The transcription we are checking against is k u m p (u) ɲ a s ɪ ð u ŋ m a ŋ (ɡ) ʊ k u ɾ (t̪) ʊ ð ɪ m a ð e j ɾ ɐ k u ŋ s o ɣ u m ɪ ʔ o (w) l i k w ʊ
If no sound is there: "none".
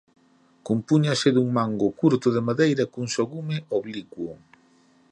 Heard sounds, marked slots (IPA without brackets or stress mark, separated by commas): u, ɡ, t̪, β